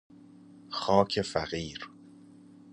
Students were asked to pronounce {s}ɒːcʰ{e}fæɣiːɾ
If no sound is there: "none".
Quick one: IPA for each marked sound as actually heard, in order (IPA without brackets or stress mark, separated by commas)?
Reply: x, e